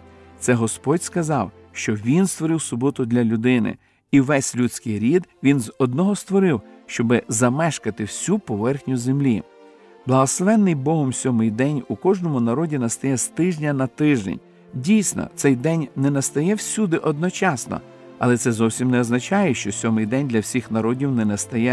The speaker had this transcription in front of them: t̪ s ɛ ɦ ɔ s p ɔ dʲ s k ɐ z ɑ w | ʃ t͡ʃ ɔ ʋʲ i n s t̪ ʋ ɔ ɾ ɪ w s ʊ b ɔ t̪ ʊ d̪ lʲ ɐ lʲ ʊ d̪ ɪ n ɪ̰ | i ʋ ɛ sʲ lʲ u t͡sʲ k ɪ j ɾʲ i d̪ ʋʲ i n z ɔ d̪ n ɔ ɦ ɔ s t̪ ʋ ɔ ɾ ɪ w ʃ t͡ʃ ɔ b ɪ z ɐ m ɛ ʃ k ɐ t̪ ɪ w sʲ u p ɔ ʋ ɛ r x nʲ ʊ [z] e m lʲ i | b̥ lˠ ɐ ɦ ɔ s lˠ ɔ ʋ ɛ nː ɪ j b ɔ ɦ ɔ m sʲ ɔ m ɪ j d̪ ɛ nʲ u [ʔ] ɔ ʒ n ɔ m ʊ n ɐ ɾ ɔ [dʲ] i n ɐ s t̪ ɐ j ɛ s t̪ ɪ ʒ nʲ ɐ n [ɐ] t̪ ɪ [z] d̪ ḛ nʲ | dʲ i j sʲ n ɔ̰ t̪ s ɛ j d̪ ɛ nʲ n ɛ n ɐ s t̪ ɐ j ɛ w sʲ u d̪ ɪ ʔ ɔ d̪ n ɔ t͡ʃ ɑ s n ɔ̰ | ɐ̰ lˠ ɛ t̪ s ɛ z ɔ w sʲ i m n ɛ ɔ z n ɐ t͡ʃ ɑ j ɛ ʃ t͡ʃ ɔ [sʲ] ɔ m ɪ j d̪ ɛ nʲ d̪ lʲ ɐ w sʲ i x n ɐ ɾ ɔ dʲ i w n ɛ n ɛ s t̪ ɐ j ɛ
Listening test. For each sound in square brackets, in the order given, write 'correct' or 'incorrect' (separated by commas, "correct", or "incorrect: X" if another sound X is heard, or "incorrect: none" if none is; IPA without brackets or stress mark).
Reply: correct, incorrect: k, correct, correct, incorrect: ʒ, correct